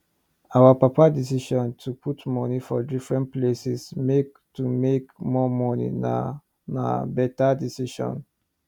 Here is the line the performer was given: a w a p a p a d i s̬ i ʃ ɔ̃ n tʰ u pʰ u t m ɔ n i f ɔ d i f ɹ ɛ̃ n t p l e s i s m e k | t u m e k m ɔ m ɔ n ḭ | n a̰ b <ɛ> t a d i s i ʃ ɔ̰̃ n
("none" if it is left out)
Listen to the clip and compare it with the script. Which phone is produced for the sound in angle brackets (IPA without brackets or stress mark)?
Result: ɛ